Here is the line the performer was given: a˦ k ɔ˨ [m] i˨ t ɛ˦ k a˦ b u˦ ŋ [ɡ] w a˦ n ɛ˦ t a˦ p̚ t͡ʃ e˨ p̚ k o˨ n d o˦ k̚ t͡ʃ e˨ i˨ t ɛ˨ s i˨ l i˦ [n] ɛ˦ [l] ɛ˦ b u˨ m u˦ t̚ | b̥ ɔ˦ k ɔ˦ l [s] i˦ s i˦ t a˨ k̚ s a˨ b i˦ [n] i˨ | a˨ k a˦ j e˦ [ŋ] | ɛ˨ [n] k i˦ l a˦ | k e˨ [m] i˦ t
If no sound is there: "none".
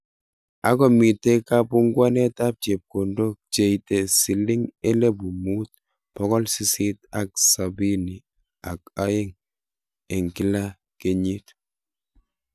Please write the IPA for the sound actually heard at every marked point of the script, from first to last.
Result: m, ɡ, ŋ, l, s, n, ŋ, ŋ, ɲ

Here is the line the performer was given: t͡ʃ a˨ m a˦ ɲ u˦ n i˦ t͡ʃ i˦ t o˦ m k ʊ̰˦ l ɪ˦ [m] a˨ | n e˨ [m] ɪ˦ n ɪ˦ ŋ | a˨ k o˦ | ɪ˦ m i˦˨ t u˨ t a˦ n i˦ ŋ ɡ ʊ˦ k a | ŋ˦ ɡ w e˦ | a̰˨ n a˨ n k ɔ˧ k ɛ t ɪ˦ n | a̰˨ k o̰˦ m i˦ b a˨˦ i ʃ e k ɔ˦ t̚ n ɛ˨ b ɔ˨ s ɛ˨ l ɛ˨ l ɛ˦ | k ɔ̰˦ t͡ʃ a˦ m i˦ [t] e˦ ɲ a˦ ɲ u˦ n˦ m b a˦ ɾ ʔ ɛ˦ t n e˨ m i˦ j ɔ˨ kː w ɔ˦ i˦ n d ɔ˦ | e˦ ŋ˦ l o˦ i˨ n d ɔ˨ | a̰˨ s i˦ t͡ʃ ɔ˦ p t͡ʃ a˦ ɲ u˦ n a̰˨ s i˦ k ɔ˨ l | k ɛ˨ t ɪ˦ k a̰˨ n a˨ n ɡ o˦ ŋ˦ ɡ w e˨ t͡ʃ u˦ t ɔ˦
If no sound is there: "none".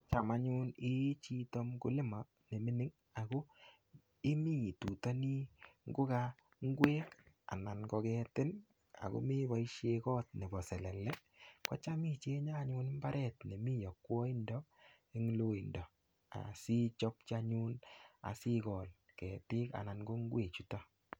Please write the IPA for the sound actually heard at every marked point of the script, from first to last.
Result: m, m, t͡ʃ

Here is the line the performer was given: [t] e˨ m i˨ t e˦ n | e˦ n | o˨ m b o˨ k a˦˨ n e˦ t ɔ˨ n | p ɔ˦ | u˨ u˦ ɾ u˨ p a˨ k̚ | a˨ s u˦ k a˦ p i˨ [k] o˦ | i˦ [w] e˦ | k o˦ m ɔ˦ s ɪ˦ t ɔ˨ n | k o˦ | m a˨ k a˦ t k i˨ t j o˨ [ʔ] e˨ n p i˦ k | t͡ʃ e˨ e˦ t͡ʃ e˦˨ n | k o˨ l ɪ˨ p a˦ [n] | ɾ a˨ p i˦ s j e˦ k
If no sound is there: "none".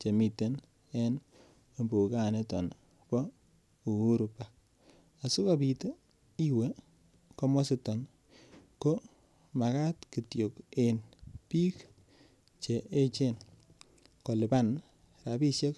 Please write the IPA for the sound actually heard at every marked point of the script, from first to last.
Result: t͡ʃ, t, w, k, n

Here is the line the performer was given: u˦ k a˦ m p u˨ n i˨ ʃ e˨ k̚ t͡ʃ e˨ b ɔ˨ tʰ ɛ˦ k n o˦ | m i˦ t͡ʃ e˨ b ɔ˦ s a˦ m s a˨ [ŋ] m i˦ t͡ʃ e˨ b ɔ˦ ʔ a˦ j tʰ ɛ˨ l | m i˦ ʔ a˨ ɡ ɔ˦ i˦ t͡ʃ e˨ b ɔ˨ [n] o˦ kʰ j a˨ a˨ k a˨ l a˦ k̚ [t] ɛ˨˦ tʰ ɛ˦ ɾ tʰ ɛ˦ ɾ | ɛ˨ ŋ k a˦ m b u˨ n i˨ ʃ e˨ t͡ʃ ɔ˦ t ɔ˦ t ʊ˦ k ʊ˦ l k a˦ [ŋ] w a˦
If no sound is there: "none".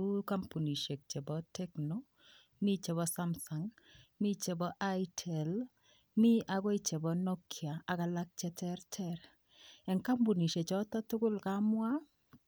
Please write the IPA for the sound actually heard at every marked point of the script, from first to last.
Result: ŋ, n, t͡ʃ, m

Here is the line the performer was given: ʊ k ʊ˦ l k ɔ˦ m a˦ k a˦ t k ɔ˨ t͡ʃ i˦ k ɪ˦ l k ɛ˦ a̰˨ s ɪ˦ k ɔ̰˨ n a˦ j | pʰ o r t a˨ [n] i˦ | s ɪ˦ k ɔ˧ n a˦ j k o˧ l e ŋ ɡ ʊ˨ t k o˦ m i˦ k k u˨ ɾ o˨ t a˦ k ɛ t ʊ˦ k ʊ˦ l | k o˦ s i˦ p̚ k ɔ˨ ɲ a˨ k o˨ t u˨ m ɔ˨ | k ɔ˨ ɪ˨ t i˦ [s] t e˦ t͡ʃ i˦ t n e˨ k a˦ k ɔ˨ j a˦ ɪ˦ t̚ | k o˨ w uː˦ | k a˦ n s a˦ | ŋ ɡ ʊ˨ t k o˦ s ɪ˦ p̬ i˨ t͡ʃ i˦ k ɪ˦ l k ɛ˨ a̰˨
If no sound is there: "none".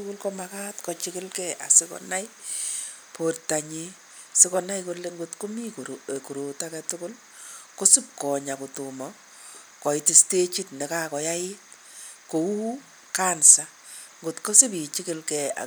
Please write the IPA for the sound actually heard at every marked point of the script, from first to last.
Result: ɲ, s

